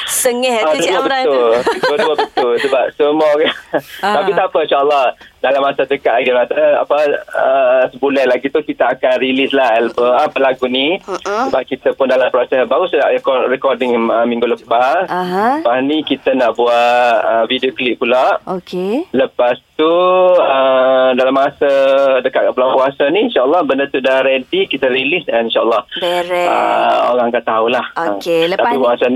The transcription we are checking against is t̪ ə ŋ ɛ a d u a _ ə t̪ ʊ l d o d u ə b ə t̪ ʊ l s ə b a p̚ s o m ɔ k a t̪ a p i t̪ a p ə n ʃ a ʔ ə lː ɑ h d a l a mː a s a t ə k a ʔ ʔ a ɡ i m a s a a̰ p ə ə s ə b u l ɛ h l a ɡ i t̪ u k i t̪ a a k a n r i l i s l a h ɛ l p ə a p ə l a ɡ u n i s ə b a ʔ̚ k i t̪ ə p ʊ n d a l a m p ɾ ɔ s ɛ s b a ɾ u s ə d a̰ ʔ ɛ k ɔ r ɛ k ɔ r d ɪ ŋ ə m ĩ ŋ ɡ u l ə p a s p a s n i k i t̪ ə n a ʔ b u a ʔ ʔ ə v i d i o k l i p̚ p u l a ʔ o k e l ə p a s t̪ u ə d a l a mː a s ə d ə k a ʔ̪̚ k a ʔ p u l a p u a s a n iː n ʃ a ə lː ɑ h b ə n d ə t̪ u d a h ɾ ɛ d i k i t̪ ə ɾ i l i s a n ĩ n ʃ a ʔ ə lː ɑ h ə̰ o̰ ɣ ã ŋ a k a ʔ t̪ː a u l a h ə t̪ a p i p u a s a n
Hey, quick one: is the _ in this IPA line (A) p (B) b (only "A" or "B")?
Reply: B